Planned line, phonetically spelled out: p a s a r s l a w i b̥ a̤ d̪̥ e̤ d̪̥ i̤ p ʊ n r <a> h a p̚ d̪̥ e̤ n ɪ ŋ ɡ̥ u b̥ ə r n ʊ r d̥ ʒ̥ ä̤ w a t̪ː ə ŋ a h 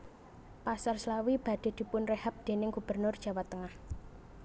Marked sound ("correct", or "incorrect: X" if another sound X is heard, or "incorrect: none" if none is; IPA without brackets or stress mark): incorrect: e